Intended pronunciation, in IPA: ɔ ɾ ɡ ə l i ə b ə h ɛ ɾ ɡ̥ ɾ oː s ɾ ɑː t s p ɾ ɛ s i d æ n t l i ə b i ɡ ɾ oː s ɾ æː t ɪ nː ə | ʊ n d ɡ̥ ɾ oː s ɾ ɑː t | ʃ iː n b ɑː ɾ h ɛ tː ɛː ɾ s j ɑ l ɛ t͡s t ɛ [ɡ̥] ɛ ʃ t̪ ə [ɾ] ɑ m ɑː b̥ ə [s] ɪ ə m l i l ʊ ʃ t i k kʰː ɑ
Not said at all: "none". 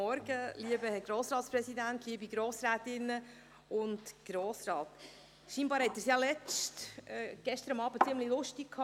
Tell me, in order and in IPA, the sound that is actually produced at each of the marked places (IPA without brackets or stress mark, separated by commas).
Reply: ɡ̥, ɾ, t͡s